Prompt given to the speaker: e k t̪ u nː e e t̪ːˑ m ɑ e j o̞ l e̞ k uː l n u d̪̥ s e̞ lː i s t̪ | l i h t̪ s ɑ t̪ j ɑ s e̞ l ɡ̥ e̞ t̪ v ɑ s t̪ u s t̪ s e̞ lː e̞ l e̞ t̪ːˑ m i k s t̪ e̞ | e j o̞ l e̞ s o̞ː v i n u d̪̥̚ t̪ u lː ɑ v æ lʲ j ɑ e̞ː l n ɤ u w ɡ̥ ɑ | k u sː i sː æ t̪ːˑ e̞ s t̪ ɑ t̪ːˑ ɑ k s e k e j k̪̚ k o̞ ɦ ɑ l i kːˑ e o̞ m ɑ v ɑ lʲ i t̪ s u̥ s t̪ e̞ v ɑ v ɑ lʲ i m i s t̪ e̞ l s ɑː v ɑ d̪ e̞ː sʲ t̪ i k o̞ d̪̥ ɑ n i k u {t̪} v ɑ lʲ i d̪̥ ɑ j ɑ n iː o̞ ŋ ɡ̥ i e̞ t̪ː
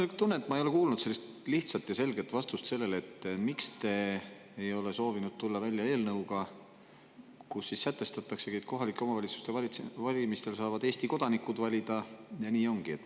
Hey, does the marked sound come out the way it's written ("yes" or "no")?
no